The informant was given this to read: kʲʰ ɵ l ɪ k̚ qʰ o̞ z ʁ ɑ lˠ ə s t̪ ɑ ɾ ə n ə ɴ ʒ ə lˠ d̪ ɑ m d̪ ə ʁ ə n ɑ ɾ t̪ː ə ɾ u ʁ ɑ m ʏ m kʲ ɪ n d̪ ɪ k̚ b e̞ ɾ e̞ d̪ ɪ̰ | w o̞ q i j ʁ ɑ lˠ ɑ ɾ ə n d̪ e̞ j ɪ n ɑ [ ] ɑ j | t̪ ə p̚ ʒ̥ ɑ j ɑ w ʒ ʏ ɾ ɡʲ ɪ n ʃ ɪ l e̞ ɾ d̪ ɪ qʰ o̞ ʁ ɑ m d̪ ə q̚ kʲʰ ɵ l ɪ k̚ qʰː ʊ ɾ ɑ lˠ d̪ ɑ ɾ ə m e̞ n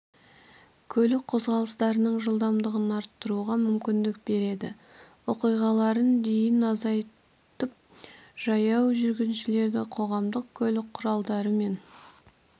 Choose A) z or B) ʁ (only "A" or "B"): A